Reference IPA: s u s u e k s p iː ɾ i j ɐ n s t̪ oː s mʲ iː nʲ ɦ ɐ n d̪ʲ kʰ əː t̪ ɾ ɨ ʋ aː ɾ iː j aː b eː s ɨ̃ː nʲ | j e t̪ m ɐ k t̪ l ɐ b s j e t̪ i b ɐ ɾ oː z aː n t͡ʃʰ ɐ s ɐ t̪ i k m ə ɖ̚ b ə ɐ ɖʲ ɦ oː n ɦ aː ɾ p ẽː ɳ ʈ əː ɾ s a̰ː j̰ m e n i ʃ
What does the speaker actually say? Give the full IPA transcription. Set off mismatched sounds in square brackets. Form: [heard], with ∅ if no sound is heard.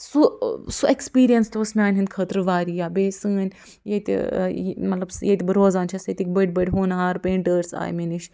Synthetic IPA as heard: s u s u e k s p iː ɾ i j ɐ n s t̪ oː s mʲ [aː] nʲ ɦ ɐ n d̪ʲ kʰ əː t̪ ɾ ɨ ʋ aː ɾ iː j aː b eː s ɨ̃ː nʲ | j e t̪ m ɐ [∅] t̪ l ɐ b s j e t̪ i b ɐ ɾ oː z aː n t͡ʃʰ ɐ s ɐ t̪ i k [b] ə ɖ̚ b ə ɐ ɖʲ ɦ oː n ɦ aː ɾ p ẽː ɳ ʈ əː ɾ s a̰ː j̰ m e n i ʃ